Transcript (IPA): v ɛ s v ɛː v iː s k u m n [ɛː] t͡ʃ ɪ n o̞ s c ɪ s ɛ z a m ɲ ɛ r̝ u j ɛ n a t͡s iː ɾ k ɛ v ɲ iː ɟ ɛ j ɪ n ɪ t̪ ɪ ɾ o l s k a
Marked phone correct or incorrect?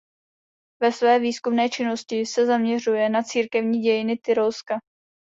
correct